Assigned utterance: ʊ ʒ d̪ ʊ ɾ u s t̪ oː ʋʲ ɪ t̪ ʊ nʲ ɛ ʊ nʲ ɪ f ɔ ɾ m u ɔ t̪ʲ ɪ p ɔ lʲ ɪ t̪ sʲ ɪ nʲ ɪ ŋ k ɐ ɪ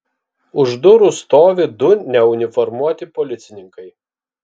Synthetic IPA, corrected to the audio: ʊ ʒ d̪ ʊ ɾ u s t̪ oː ʋʲ ɪ d̪ ʊ nʲ ɛ ʊ nʲ ɪ f ɔ ɾ m u ɔ t̪ʲ ɪ p ɔ lʲ ɪ t̪ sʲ ɪ nʲ ɪ ŋ k ɐ ɪ